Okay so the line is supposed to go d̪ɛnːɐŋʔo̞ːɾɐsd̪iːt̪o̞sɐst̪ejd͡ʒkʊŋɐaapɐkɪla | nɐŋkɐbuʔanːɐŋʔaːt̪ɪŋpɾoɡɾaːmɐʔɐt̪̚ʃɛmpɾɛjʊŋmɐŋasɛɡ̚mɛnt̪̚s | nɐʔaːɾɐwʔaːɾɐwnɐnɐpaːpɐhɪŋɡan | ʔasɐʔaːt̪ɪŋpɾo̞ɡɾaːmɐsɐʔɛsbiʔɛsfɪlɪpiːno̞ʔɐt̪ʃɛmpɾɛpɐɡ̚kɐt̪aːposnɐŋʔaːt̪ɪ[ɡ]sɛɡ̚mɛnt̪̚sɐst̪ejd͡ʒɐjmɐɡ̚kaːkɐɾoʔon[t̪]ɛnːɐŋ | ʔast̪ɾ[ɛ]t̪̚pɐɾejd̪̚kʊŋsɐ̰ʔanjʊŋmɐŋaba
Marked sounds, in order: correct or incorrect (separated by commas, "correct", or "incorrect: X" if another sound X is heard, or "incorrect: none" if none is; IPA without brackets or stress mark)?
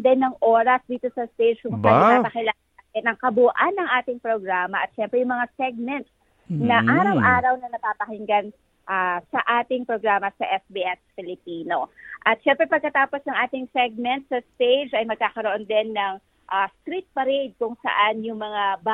incorrect: ŋ, incorrect: d̪, incorrect: i